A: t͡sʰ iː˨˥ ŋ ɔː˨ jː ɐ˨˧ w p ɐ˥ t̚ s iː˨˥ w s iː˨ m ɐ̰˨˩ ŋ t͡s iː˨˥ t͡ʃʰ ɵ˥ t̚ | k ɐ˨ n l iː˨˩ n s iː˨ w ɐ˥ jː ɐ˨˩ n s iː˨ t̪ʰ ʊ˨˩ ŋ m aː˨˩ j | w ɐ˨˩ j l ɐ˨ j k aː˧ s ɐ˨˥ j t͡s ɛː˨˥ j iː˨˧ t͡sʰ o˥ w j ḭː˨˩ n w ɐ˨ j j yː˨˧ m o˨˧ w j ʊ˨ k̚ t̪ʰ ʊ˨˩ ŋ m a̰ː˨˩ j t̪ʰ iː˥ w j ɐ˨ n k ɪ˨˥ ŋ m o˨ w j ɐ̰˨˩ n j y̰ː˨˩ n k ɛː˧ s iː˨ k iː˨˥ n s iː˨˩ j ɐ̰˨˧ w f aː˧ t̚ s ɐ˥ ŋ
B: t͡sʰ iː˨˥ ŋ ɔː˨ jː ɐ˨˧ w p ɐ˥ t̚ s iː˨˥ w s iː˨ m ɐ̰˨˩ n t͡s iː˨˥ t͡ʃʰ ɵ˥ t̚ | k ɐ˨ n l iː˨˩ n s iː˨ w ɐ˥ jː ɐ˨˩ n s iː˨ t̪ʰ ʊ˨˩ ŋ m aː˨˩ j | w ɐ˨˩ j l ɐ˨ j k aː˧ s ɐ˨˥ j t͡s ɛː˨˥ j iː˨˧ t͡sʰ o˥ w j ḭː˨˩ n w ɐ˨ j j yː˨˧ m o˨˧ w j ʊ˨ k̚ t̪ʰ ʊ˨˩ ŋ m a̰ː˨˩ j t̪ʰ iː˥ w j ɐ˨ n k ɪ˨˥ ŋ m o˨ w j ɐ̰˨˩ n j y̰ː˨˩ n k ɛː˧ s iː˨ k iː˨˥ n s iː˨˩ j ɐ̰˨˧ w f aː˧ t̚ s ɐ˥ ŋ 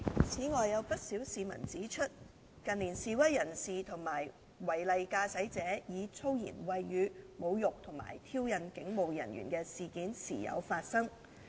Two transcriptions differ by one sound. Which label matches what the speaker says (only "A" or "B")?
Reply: B